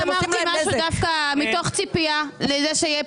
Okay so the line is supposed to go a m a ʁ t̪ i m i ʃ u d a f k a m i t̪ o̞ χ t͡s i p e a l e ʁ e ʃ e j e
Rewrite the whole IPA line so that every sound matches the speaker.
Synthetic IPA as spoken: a m a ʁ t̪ i m a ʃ u d a f k a m i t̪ o̞ χ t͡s i p i a l e z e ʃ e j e

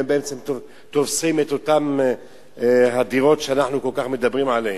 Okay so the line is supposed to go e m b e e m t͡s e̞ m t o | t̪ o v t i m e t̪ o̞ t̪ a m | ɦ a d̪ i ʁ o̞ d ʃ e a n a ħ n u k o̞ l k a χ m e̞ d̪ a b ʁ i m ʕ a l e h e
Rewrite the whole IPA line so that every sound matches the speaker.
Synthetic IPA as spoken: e m b e e m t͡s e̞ m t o | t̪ o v s i m e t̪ o̞ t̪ a m | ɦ a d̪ i ʁ o̞ t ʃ e a n a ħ n u k o̞ l k a χ m e̞ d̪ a b ʁ i m ʕ a l e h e

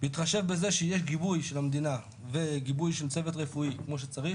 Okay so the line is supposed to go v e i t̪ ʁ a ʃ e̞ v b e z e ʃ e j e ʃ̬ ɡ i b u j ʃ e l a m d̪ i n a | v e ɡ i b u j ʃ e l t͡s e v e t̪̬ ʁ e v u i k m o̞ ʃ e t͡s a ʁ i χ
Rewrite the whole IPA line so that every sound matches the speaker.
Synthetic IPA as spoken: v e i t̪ χ a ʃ e̞ v b e z e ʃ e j e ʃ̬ ɡ i b u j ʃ e l a m d̪ i n a | v e ɡ i b u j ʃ e l t͡s e v e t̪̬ ʁ e f u i k m o̞ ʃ e t͡s a ʁ i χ

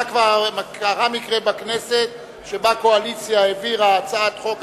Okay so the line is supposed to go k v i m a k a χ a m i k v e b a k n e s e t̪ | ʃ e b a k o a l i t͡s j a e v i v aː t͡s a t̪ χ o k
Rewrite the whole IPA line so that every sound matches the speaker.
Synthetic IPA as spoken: k v a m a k a ʁ a m i k ʁ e b a k n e s e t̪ | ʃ e b a k o a l i t͡s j a e v i ʁ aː t͡s a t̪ χ o k

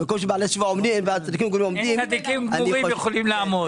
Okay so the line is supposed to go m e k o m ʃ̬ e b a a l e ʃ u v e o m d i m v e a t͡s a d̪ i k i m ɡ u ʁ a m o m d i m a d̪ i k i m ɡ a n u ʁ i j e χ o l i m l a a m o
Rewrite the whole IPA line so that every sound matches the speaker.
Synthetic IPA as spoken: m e k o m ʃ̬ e b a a l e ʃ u v a o m d i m v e a t͡s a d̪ i k i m ɡ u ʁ i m o m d i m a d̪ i k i m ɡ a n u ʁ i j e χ o l i m l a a m o

